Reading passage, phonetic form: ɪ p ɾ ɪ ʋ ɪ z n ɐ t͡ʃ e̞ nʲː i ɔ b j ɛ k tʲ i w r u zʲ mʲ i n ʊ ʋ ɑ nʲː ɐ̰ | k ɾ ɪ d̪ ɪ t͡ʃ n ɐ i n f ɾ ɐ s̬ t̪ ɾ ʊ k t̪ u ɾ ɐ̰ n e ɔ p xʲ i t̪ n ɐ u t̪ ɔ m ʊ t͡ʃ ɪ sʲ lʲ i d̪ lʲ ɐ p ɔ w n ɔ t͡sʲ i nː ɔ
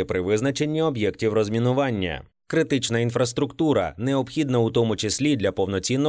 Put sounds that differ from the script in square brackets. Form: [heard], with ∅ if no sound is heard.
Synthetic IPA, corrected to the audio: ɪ p ɾ ɪ ʋ ɪ z n ɐ t͡ʃ e̞ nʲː i ɔ b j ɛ k tʲ i w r [ɔ] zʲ mʲ i n ʊ ʋ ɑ nʲː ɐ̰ | k ɾ ɪ [t̪] ɪ t͡ʃ n ɐ i n f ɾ ɐ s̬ t̪ ɾ ʊ k t̪ u ɾ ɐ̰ n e ɔ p xʲ i [d̪] n ɐ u t̪ ɔ m ʊ t͡ʃ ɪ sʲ lʲ i d̪ lʲ ɐ p ɔ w n ɔ t͡sʲ i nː ɔ